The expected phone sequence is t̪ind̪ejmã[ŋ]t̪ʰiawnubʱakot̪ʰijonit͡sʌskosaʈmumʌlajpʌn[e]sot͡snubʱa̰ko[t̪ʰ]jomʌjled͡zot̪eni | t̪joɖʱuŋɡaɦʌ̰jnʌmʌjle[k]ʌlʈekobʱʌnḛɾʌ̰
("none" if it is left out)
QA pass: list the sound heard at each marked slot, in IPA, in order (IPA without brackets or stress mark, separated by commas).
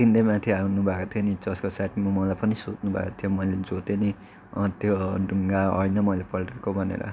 none, i, t̪ʰ, p